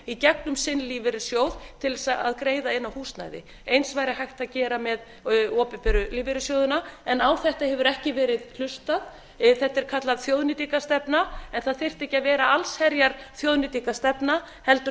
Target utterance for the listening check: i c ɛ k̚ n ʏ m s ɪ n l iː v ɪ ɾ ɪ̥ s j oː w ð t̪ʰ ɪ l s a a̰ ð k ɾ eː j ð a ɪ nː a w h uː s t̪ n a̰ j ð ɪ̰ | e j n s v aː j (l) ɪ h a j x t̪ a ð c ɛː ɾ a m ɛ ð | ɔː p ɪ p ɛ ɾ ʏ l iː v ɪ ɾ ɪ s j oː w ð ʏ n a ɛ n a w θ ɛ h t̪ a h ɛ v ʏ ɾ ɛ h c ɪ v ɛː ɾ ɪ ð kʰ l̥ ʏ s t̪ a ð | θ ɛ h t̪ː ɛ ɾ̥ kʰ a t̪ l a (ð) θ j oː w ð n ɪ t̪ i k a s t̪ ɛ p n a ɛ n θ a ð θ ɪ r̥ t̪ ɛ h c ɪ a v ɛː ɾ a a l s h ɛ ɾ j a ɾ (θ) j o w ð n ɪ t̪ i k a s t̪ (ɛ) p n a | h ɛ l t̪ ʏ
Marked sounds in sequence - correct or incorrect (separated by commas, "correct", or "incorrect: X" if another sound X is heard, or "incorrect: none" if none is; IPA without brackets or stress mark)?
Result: incorrect: ɾ, correct, correct, correct